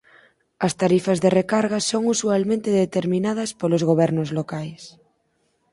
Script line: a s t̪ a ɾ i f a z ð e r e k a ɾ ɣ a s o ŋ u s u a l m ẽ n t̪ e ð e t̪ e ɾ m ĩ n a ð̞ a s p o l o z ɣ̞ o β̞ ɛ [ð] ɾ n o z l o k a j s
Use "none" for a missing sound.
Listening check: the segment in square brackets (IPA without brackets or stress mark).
none